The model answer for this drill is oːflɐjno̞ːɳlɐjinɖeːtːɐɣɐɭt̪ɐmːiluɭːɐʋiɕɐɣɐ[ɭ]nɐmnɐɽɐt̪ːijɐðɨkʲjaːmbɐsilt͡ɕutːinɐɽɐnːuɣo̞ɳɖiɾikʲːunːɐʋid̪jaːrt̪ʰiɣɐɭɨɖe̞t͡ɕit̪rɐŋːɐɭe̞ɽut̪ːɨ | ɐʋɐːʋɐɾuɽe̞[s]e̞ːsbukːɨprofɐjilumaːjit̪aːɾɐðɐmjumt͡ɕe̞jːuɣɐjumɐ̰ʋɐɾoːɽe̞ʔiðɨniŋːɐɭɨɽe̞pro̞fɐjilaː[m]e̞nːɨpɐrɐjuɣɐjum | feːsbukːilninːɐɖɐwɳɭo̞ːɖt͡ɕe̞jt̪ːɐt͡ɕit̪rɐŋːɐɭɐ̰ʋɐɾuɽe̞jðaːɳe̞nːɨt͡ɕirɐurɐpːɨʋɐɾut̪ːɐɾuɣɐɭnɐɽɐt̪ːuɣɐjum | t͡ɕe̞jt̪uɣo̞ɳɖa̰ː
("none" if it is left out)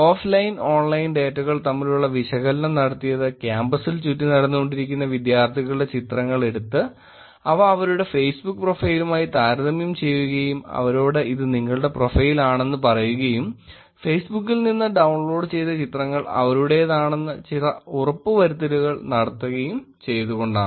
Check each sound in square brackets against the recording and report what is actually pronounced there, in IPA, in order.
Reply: l, f, ɳ

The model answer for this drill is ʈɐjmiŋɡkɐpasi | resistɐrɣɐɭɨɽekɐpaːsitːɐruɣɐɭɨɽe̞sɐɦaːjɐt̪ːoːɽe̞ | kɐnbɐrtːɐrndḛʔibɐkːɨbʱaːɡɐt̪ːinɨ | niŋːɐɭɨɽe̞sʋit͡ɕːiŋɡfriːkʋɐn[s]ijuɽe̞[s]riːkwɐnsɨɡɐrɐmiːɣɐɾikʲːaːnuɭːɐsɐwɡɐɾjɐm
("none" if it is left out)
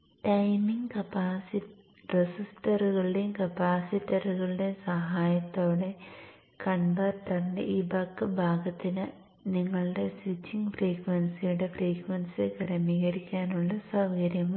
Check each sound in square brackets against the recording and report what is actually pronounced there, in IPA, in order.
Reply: s, f

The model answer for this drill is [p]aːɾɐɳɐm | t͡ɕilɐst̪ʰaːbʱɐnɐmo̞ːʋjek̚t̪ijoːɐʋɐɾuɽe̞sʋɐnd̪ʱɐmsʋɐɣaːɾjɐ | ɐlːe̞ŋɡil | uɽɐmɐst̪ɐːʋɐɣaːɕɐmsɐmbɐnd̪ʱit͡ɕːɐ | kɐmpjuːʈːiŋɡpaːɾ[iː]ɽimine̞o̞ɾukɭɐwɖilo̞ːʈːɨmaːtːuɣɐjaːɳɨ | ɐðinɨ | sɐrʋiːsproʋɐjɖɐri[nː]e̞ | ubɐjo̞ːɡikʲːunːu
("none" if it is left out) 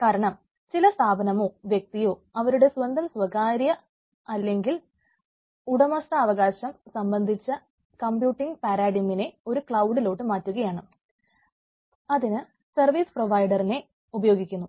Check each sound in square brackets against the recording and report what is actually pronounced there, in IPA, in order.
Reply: k, aː, n

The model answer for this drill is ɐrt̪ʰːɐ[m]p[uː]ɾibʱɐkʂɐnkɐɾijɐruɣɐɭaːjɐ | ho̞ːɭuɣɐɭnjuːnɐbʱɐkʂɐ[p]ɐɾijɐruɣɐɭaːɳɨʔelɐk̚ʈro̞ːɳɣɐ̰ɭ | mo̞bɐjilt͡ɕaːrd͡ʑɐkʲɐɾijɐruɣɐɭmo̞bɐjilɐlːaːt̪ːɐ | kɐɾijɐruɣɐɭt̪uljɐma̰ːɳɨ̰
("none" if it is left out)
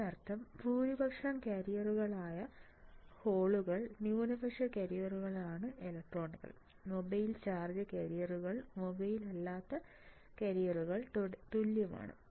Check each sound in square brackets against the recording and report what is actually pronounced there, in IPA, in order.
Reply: m, uː, k

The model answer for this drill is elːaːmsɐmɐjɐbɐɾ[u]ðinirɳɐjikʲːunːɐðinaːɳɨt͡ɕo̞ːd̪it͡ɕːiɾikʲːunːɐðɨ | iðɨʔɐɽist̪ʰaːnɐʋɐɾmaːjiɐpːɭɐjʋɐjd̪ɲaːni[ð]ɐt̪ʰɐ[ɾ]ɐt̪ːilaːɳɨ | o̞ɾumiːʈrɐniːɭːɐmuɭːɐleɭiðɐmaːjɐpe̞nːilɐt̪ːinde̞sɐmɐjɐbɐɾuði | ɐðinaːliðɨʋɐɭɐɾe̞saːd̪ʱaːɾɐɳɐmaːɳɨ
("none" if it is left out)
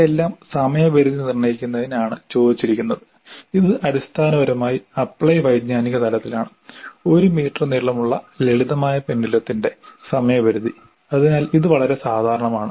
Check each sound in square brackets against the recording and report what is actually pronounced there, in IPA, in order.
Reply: u, ɣ, l

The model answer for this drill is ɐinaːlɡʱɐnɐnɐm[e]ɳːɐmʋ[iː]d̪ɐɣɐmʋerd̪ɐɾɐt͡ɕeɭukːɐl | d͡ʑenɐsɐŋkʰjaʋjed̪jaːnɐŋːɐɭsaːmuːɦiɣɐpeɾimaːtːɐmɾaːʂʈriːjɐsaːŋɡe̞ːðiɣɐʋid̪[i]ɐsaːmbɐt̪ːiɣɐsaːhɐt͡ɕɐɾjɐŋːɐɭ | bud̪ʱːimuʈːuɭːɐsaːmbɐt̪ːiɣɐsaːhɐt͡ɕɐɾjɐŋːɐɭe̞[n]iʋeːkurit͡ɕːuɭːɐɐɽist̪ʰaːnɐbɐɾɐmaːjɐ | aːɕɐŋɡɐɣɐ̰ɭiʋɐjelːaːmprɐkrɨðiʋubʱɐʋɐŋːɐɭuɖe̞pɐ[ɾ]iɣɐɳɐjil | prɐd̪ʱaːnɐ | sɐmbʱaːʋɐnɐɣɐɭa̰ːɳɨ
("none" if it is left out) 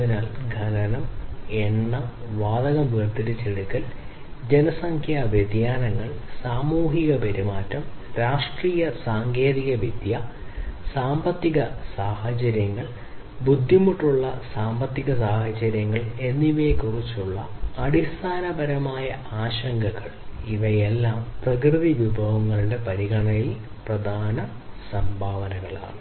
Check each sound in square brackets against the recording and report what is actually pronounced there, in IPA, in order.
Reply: e, aː, j, nː, ɾ

